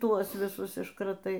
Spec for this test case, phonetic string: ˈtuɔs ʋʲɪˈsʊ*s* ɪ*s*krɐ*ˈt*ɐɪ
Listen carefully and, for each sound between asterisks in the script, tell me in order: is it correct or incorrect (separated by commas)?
correct, incorrect, correct